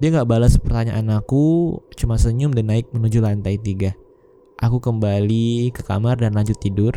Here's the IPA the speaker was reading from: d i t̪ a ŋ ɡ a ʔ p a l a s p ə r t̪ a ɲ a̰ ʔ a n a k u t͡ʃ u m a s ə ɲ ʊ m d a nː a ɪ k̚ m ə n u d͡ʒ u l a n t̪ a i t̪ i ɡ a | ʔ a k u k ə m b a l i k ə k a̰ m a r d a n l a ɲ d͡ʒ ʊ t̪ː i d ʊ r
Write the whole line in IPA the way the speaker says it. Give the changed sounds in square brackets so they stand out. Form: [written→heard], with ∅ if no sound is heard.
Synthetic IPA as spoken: d i [t̪→∅] a ŋ ɡ a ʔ [p→b] a l a s p ə r t̪ a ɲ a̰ ʔ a n a k u t͡ʃ u m a s ə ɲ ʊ m d a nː a ɪ k̚ m ə n u d͡ʒ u l a n t̪ a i t̪ i ɡ a | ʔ a k u k ə m b a l i k ə k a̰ m a r d a n l a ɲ d͡ʒ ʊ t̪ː i d ʊ r